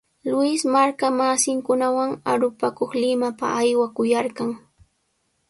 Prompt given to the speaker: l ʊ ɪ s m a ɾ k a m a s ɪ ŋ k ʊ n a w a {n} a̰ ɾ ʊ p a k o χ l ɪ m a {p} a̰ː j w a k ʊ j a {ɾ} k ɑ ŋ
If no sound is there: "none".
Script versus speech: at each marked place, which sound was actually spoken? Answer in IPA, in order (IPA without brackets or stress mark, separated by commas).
ŋ, p, ɾ